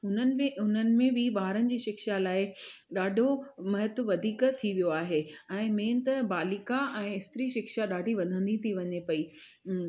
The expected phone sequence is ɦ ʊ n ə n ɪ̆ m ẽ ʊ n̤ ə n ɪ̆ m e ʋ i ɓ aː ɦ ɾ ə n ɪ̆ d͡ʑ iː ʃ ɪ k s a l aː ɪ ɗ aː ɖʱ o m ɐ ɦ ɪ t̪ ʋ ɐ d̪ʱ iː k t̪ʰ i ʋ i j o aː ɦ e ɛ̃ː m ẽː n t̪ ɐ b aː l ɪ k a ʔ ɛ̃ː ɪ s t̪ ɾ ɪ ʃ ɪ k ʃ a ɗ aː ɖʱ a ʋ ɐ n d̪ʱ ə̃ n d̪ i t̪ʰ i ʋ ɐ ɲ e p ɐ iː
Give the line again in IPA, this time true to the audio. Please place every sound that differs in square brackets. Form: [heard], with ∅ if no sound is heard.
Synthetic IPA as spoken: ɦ ʊ n ə n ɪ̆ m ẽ ʊ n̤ ə n ɪ̆ m [ẽ] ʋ i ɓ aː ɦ ɾ ə n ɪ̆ d͡ʑ iː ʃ ɪ k [ʃ] a l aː ɪ ɗ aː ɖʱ o m ɐ ɦ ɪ t̪ ʋ ɐ d̪ʱ iː k t̪ʰ i ʋ i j o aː ɦ e ɛ̃ː m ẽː n t̪ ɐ b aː l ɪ k a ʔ ɛ̃ː ɪ s t̪ ɾ [i] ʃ ɪ k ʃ a ɗ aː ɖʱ [i] ʋ ɐ n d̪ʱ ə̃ n d̪ i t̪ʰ i ʋ ɐ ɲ e p ɐ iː